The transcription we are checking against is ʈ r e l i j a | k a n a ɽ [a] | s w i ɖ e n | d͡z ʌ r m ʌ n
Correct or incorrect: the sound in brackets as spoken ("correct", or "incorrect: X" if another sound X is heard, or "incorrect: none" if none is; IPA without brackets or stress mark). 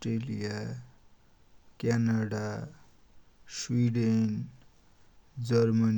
correct